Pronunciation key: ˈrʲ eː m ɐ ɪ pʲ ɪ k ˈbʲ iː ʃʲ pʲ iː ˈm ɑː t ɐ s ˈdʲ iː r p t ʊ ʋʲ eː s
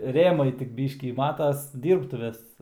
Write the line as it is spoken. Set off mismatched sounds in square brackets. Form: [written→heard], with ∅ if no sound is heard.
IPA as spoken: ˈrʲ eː m ɐ ɪ [pʲ→tʲ] ɪ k ˈbʲ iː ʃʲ [pʲ→kʲ] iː ˈm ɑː t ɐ s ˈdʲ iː r p t ʊ ʋʲ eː s

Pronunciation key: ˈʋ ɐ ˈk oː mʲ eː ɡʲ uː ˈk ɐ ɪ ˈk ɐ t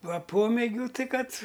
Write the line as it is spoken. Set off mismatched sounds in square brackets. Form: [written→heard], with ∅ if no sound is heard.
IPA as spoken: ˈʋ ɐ [ˈk→ˈp] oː mʲ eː ɡʲ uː [ˈk→ˈt] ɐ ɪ ˈk ɐ t

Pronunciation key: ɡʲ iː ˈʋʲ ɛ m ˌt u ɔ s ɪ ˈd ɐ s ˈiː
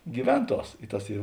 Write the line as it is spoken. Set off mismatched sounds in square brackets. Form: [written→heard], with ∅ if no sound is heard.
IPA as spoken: ɡʲ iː ˈʋʲ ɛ [m→n] ˌt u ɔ s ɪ [ˈd→ˈt] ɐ s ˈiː

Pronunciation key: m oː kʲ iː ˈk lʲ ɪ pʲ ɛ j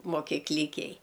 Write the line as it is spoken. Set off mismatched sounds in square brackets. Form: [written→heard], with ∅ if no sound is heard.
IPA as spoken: m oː kʲ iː ˈk lʲ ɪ [pʲ→kʲ] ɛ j

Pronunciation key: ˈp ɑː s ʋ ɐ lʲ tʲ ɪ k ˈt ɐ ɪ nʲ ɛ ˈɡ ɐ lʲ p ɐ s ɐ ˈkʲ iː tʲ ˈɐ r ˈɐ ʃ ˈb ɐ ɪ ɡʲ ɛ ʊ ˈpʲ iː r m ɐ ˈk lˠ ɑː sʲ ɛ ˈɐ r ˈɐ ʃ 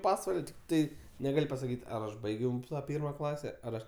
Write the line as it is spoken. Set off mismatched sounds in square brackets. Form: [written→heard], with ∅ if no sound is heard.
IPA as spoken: ˈp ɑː s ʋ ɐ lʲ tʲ ɪ k ˈt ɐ ɪ nʲ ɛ ˈɡ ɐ lʲ p ɐ s ɐ ˈkʲ iː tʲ ˈɐ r ˈɐ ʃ ˈb ɐ ɪ ɡʲ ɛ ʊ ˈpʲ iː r m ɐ ˈk lˠ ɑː sʲ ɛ ˈɐ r ˈɐ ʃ

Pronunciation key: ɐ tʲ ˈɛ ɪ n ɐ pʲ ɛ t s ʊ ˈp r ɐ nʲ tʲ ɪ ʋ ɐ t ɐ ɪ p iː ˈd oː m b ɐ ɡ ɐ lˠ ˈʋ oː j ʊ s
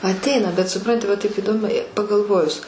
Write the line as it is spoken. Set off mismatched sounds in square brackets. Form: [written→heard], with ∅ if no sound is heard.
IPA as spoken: ɐ tʲ ˈɛ ɪ n ɐ [pʲ→bʲ] ɛ t s ʊ ˈp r ɐ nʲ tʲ ɪ ʋ ɐ t ɐ ɪ p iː ˈd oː m [b→p] ɐ ɡ ɐ lˠ ˈʋ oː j ʊ s

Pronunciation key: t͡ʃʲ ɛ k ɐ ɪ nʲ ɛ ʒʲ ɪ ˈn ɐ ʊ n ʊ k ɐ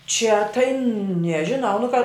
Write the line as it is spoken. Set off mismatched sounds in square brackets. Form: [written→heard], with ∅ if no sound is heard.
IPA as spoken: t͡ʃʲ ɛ [k→t] ɐ ɪ nʲ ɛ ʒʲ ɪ ˈn ɐ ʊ n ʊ k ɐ

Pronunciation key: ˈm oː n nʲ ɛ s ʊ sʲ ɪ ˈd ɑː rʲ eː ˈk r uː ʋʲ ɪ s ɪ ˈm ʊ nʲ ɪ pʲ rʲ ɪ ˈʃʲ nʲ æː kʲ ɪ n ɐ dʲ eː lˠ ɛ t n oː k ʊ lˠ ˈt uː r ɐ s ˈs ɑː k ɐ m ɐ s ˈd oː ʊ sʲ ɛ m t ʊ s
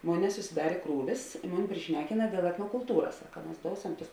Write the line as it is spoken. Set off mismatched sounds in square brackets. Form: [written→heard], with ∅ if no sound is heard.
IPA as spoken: ˈm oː n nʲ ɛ s ʊ sʲ ɪ ˈd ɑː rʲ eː ˈk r uː ʋʲ ɪ s ɪ ˈm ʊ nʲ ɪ pʲ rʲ ɪ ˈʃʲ nʲ æː kʲ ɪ n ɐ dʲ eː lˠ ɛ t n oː k ʊ lˠ ˈt uː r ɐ s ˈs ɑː k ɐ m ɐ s ˈd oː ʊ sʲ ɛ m t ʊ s

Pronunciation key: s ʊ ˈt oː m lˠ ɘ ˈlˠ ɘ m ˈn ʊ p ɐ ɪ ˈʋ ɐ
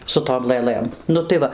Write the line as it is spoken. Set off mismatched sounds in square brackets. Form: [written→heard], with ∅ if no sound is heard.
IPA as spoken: s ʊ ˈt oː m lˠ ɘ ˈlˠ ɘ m ˈn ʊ [p→t] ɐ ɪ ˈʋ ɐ

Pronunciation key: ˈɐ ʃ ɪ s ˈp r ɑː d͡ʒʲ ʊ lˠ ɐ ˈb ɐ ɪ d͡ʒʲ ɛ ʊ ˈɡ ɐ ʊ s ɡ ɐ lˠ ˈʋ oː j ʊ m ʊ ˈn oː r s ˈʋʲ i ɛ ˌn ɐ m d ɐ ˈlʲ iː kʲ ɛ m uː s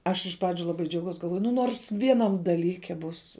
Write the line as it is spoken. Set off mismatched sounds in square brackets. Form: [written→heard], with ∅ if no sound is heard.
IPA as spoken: ˈɐ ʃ ɪ [s→ʃ] ˈp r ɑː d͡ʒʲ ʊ lˠ ɐ ˈb ɐ ɪ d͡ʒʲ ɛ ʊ ˈɡ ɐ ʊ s ɡ ɐ lˠ ˈʋ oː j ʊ [m→n] ʊ ˈn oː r s ˈʋʲ i ɛ ˌn ɐ m d ɐ ˈlʲ iː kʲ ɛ [m→b] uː s

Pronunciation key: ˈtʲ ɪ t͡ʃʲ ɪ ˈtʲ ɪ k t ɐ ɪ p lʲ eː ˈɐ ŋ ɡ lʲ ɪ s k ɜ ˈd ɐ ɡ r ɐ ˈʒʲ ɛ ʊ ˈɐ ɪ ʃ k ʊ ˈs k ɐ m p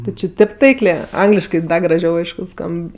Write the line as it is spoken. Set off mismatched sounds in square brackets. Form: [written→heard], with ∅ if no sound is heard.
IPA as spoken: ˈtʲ ɪ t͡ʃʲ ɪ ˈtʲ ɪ [k→p] t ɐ ɪ [p→k] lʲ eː ˈɐ ŋ ɡ lʲ ɪ [s→ʃ] k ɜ ˈd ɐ ɡ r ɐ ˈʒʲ ɛ ʊ ˈɐ ɪ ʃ k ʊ ˈs k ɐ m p

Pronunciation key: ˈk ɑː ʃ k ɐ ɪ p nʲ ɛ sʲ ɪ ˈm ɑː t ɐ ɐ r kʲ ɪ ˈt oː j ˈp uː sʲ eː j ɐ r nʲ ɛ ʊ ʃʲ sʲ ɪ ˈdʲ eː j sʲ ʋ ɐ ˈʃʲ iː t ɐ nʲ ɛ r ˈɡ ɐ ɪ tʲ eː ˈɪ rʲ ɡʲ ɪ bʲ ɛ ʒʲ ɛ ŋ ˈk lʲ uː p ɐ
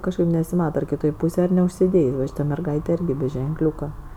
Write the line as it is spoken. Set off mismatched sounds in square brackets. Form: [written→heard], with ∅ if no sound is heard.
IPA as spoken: ˈk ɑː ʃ k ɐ ɪ p nʲ ɛ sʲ ɪ ˈm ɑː t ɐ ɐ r kʲ ɪ ˈt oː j ˈp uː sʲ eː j ɐ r nʲ ɛ ʊ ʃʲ sʲ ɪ ˈdʲ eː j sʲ ʋ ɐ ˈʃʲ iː t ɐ [nʲ→mʲ] ɛ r ˈɡ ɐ ɪ tʲ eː ˈɪ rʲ ɡʲ ɪ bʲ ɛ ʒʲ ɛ ŋ ˈk lʲ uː [p→k] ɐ

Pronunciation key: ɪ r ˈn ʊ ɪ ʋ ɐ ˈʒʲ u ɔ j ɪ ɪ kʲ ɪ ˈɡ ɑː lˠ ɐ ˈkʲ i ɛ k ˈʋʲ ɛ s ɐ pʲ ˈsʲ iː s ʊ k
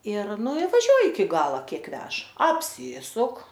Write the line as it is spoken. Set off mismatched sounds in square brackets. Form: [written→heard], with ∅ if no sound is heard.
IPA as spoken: ɪ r ˈn ʊ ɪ ʋ ɐ ˈʒʲ u ɔ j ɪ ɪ kʲ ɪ ˈɡ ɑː lˠ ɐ ˈkʲ i ɛ k ˈʋʲ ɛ [s→ʃ] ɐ pʲ ˈsʲ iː s ʊ k

